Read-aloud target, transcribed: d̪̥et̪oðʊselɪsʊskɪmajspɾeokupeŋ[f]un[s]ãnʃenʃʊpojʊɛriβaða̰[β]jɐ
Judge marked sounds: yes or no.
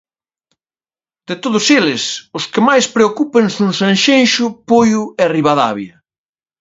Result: no, yes, yes

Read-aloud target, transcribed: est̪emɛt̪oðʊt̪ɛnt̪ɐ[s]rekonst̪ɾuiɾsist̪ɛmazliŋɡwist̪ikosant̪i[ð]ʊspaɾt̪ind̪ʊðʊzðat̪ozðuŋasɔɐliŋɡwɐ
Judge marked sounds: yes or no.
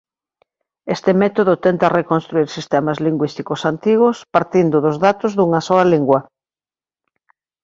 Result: no, no

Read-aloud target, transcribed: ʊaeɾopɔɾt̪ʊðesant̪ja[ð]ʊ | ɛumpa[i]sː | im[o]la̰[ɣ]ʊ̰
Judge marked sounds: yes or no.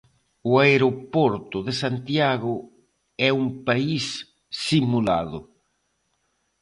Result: no, yes, no, no

